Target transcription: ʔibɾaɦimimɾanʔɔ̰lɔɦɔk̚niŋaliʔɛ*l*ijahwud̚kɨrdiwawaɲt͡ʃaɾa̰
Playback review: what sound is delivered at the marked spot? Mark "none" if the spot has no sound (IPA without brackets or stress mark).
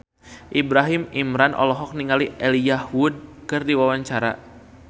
l